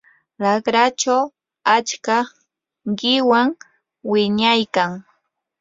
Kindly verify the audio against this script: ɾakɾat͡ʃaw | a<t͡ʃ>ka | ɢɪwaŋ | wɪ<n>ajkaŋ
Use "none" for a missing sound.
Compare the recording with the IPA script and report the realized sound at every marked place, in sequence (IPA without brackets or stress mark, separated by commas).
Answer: t͡ʃ, ɲ